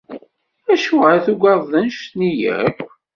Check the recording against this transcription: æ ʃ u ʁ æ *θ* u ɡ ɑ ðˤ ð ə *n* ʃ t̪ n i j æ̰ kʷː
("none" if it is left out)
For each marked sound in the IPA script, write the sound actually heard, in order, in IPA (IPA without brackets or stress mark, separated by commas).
θ, n